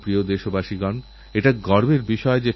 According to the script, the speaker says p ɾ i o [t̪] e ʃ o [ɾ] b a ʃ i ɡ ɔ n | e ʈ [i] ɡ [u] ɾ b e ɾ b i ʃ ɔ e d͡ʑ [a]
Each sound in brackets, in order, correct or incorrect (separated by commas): incorrect, incorrect, incorrect, incorrect, incorrect